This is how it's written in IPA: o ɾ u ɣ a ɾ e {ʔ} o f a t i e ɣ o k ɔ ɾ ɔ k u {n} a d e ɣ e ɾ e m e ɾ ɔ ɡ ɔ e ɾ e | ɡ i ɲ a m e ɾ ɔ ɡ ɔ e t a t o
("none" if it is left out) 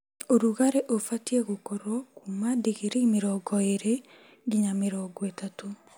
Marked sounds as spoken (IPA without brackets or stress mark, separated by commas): ʔ, m